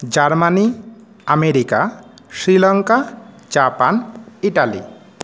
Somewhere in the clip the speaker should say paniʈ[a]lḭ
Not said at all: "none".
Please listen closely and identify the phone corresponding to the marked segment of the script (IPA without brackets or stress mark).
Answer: a